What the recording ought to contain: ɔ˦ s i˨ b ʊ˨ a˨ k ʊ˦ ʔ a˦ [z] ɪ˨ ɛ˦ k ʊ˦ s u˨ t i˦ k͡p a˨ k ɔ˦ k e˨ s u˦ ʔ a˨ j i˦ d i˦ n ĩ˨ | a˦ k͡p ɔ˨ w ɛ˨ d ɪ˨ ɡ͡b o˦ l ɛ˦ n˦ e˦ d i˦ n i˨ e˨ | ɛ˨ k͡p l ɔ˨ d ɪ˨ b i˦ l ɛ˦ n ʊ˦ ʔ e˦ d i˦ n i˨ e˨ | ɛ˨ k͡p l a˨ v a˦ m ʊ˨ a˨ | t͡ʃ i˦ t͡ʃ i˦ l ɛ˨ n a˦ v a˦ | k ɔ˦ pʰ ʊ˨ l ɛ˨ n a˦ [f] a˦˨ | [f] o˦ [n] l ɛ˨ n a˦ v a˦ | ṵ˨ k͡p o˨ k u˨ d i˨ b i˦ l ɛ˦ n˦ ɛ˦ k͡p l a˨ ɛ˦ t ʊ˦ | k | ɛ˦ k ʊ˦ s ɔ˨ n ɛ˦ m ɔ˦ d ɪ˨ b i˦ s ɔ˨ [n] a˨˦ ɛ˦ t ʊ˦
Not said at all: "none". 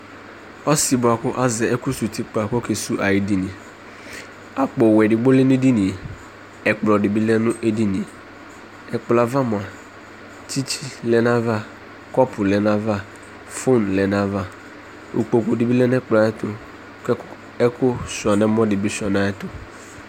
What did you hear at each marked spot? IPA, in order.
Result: z, v, f, n, n

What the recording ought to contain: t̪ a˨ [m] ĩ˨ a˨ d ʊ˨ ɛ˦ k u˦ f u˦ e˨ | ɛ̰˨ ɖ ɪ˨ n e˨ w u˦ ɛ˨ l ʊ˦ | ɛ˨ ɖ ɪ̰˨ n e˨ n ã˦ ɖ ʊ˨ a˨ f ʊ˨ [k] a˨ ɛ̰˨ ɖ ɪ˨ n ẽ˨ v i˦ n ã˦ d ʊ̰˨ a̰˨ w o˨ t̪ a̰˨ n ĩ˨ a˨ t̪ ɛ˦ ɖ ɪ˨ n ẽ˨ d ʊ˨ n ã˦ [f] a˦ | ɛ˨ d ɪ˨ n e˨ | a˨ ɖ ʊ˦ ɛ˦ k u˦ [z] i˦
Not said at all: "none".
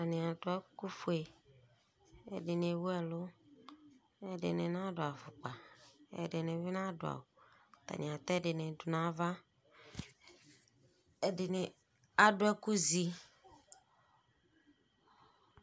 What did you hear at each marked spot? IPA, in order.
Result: n, k͡p, v, z

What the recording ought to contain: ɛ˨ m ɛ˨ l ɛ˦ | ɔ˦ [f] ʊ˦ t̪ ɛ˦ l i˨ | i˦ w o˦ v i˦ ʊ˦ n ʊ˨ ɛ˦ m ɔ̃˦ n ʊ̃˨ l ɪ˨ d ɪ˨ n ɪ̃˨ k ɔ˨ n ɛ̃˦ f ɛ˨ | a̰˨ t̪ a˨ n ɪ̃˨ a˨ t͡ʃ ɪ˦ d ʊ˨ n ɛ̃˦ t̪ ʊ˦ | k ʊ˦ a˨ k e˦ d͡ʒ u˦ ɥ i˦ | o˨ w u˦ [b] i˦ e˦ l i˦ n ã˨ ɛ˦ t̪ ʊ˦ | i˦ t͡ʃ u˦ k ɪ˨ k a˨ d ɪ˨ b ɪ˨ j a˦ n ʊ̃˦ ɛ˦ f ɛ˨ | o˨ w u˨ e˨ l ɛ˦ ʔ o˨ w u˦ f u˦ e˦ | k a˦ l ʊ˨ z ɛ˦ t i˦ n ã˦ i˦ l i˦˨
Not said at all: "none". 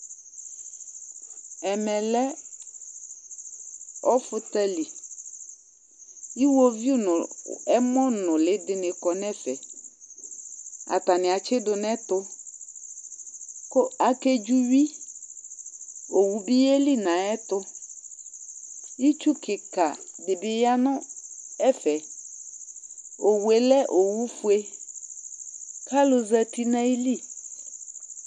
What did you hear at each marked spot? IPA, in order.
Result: f, b

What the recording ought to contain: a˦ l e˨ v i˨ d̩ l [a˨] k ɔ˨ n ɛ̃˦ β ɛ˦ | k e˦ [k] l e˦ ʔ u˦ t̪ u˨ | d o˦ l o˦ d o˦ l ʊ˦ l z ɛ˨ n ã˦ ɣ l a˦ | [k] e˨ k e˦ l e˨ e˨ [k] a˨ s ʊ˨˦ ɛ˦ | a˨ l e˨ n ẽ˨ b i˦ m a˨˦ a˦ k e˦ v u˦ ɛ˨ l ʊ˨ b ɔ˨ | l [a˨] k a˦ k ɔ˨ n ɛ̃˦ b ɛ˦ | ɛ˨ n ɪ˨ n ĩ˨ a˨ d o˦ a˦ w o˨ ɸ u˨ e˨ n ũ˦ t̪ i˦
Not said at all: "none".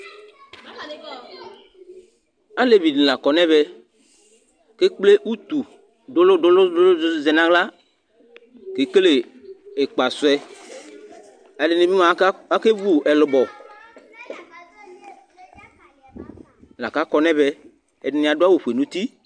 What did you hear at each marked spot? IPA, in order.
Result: a˨, k͡p, k, k͡p, a˨

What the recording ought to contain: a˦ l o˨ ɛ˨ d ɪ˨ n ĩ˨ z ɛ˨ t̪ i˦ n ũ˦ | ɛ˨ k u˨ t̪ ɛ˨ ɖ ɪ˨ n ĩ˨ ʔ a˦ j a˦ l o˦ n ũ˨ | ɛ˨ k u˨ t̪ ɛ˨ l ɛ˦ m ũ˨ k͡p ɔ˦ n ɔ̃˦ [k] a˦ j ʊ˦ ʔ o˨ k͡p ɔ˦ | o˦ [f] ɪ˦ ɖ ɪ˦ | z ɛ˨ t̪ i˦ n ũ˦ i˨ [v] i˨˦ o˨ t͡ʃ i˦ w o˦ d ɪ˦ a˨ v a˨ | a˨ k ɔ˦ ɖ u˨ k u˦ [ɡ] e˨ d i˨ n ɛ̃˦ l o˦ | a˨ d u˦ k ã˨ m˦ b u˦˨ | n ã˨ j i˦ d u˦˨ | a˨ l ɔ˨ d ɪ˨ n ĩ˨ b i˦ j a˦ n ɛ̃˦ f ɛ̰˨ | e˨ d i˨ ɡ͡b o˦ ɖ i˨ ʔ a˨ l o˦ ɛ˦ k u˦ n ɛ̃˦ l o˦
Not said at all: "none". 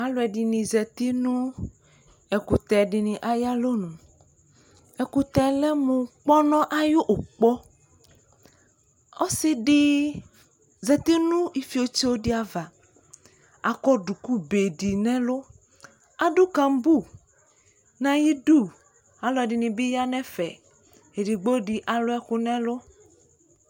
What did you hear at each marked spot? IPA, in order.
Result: ʔ, s, f, b

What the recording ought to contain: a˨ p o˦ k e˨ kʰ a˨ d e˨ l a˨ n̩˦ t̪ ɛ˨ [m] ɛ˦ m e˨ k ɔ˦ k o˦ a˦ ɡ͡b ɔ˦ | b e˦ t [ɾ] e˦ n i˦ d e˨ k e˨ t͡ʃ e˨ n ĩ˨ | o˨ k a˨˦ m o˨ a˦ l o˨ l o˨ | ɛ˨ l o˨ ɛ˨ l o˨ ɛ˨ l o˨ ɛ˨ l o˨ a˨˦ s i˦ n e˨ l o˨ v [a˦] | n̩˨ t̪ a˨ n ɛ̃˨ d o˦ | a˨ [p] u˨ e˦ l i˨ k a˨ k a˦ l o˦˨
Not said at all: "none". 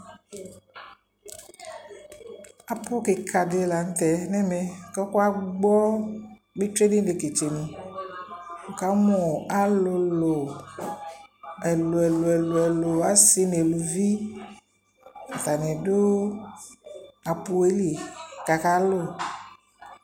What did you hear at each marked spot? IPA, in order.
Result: n, ɾ, i˦, p

